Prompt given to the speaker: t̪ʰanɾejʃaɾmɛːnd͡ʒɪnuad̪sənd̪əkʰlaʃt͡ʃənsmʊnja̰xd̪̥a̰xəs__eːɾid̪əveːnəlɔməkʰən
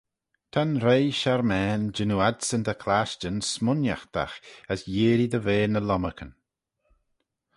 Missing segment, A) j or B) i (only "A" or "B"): A